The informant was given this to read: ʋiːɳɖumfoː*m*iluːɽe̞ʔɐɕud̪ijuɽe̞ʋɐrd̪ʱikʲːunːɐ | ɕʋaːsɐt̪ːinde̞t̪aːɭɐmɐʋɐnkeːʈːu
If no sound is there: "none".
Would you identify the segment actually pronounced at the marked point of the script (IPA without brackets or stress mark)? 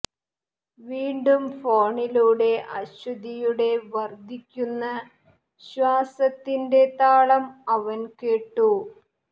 ɳ